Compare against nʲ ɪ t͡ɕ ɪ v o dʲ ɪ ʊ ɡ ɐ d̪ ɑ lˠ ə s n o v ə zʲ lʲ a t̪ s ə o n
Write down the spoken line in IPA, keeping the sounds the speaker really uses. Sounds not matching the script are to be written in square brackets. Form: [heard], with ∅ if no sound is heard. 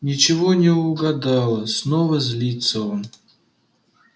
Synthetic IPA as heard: nʲ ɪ t͡ɕ ɪ v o [nʲ] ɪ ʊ ɡ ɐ d̪ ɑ lˠ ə s n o v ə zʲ lʲ [i] t̪ s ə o n